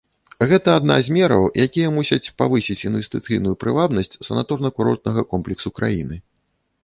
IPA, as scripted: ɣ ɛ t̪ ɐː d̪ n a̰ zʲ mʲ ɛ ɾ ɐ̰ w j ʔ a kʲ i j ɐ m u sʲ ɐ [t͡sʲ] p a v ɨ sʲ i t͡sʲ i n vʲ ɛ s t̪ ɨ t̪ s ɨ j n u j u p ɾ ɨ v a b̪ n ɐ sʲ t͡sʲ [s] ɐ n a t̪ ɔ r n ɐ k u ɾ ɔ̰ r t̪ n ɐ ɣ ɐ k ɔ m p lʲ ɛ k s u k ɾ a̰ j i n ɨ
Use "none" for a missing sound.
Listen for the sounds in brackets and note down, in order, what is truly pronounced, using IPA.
t͡sʲ, s

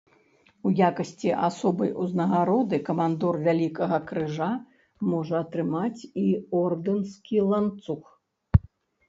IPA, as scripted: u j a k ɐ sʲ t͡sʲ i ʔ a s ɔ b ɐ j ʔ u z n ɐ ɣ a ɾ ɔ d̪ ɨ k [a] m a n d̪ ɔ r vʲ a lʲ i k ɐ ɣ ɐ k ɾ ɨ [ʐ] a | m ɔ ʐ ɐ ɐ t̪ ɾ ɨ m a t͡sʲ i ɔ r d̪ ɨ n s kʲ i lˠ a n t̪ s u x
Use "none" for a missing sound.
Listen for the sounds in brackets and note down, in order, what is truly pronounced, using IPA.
ɐ, ʐ

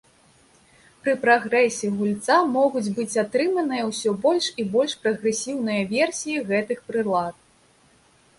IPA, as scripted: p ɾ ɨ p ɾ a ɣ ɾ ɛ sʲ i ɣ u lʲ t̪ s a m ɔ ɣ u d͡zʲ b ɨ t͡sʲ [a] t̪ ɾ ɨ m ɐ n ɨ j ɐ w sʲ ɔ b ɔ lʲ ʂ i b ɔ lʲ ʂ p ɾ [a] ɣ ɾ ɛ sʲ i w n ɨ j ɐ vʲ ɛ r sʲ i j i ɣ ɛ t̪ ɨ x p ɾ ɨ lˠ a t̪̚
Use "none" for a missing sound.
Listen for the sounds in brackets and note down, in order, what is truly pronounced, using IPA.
a, ɐ

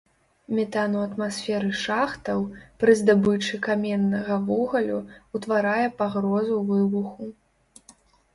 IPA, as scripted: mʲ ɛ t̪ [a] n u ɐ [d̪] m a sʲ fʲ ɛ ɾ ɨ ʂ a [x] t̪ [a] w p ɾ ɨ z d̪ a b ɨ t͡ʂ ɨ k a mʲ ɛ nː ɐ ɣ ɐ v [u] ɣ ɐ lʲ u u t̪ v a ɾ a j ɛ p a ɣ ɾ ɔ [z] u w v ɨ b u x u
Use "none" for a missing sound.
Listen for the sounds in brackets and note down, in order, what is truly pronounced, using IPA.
a, t̪, x, ɐ, ɔ, z

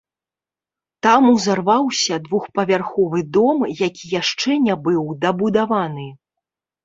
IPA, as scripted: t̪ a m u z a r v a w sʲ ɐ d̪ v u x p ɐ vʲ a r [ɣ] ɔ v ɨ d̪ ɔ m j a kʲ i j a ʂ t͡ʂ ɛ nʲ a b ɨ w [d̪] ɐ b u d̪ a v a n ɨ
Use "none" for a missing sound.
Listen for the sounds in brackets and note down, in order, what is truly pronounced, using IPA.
x, d̪

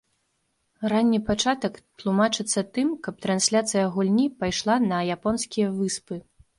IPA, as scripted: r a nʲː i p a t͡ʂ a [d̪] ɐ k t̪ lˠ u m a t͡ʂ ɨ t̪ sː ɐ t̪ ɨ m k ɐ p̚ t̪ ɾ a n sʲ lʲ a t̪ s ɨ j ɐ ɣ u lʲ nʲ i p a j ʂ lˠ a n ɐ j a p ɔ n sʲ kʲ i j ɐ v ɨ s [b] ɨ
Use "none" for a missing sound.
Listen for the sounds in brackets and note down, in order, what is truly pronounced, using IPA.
t̪, p

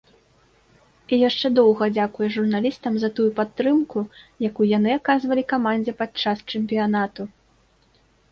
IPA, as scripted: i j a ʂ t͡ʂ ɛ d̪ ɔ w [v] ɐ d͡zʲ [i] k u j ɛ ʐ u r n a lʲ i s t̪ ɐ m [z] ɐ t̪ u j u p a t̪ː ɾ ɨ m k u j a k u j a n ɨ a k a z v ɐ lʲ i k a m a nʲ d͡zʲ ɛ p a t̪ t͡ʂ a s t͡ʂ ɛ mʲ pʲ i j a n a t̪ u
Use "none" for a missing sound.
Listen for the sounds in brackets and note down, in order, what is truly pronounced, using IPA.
ɣ, a, z

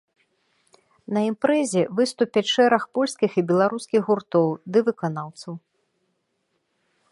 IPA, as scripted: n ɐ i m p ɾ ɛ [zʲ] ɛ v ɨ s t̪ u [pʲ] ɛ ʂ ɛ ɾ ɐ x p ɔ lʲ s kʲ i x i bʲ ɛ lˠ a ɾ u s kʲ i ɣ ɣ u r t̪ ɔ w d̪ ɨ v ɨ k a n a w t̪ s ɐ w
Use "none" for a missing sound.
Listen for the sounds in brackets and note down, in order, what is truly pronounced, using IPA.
zʲ, pʲ

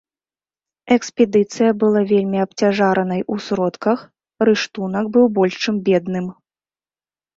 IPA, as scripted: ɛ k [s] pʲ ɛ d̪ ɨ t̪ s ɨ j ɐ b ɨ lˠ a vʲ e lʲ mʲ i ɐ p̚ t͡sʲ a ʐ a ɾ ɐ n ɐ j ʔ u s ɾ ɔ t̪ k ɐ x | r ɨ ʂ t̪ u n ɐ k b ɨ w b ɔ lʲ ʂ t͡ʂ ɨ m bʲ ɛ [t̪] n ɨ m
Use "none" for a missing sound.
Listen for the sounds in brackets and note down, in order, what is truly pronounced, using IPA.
s, d̪

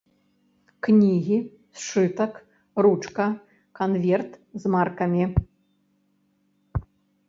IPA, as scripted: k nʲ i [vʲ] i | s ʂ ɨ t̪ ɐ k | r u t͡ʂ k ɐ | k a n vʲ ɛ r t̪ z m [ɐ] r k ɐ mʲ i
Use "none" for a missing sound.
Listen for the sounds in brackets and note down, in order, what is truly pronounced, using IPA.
ɣʲ, a

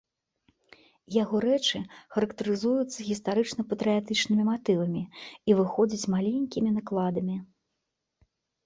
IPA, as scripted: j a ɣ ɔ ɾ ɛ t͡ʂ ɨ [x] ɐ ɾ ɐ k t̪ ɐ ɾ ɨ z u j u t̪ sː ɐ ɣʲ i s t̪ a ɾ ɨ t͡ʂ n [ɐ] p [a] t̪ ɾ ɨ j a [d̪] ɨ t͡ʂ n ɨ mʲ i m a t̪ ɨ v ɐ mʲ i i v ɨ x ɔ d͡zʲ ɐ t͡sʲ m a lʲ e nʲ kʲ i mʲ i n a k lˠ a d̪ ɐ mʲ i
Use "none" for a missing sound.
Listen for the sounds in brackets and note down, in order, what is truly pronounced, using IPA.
x, ɐ, ɐ, t̪

